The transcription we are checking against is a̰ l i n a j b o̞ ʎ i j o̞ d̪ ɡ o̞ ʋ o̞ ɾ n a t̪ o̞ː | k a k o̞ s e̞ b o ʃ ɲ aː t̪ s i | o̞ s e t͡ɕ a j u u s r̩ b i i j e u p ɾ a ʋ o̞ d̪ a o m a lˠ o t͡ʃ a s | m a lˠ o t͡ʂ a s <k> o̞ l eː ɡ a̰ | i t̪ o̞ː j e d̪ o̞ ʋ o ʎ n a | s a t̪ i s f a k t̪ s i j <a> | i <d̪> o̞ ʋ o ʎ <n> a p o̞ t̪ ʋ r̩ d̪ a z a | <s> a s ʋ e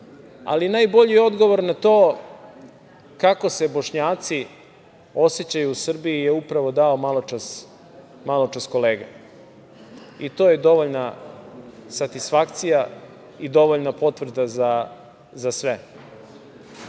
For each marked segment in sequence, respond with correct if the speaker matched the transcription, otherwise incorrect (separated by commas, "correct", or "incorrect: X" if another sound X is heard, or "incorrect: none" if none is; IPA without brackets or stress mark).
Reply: correct, correct, correct, correct, incorrect: z